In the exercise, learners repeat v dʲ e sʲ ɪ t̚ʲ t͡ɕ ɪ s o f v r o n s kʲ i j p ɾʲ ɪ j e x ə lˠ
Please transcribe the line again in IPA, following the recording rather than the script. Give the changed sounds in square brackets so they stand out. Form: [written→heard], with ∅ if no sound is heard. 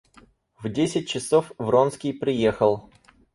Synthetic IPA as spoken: v dʲ e sʲ ɪ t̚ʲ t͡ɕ ɪ s o f v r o n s kʲ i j p ɾʲ ɪ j e x ə lˠ

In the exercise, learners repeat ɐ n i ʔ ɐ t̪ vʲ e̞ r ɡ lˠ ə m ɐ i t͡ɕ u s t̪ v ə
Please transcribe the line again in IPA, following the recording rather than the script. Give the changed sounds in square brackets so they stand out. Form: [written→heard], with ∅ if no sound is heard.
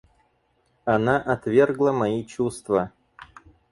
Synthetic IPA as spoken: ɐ n [i→a] ʔ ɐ t̪ vʲ e̞ r ɡ lˠ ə m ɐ i t͡ɕ u s t̪ v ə

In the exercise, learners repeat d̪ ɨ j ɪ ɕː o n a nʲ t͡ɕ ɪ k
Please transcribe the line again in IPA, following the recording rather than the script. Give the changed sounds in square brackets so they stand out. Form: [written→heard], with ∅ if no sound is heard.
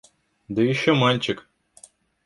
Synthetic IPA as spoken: d̪ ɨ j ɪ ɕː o [n→m] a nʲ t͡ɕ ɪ k

